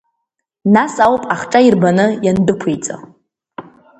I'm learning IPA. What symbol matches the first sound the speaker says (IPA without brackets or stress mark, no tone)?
n